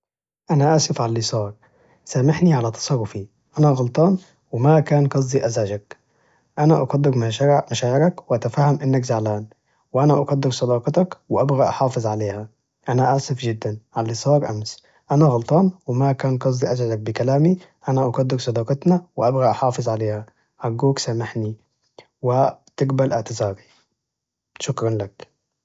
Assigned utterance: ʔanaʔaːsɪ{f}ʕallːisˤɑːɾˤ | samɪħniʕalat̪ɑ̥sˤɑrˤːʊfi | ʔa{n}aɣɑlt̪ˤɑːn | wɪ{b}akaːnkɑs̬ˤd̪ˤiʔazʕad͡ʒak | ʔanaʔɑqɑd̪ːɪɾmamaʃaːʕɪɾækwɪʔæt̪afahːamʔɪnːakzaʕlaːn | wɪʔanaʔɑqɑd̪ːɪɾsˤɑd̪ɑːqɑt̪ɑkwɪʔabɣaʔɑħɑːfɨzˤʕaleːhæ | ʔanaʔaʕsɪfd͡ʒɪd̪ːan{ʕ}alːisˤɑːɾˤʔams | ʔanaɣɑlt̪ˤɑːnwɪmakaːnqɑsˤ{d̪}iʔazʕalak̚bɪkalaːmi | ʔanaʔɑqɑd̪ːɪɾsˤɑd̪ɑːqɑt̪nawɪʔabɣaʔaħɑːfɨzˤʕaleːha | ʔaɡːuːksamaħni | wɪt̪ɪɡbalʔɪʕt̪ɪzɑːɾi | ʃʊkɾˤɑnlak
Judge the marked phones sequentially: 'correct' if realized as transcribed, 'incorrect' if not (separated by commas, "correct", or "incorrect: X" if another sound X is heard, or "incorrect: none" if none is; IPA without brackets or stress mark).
correct, correct, incorrect: m, correct, correct